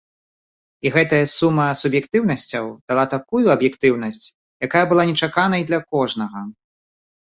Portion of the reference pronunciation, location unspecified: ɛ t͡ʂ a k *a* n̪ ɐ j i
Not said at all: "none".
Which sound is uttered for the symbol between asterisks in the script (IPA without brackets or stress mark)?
a